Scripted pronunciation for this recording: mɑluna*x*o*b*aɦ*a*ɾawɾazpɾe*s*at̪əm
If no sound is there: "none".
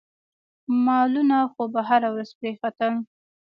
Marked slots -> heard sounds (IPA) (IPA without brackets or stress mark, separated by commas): x, b, a, x